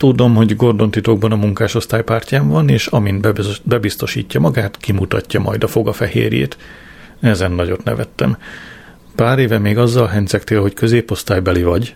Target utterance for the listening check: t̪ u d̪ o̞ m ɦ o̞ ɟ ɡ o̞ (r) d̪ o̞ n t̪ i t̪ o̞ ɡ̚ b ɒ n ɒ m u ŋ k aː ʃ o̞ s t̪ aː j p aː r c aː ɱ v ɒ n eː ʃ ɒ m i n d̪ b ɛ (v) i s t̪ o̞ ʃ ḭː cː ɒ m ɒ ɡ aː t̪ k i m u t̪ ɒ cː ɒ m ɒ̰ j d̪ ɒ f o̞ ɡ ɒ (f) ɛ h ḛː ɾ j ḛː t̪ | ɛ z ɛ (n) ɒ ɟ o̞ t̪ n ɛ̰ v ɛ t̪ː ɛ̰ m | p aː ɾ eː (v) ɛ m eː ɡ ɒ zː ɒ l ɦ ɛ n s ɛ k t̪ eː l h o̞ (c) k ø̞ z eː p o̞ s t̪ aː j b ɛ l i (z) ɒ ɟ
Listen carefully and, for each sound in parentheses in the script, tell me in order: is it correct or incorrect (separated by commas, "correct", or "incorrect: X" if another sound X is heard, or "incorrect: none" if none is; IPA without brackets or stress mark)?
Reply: correct, incorrect: b, correct, incorrect: nː, correct, correct, incorrect: v